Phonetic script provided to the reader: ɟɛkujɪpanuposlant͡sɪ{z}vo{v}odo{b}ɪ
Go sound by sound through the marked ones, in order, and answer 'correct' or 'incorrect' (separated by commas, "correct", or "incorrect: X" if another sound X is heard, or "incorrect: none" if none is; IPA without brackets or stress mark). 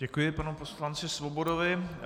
incorrect: s, incorrect: b, incorrect: v